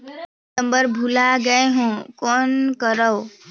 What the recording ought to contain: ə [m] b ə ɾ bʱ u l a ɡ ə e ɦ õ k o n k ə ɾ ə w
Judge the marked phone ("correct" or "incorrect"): correct